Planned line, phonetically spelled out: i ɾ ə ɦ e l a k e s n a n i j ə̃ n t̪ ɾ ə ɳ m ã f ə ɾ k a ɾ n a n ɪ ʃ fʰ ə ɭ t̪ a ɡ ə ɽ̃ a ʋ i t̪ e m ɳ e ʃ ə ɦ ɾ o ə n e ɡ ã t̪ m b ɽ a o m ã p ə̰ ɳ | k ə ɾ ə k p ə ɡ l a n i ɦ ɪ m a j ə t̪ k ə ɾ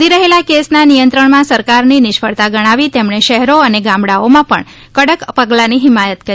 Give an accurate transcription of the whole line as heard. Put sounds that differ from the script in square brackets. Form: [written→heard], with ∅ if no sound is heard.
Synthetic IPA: i ɾ ə ɦ e l a k e s n a n i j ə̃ n t̪ ɾ ə ɳ m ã [f→s] ə ɾ k a ɾ n [a→i] n ɪ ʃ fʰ ə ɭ t̪ a ɡ ə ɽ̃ a ʋ i t̪ e m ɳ e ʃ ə ɦ ɾ o ə n e ɡ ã [t̪→∅] m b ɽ a o m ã p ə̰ ɳ | k ə [ɾ→ɽ] ə k p ə ɡ l a n i ɦ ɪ m a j ə t̪ k ə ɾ